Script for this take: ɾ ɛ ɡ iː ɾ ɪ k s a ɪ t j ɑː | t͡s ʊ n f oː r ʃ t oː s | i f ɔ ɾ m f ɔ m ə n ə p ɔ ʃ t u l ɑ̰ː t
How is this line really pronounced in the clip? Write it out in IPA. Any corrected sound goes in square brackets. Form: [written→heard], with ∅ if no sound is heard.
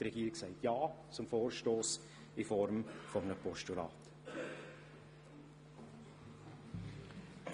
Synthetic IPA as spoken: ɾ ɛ ɡ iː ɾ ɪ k s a ɪ t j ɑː | t͡s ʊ [n→m] f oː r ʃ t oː s | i f ɔ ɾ m f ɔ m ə n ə p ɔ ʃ t u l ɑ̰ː t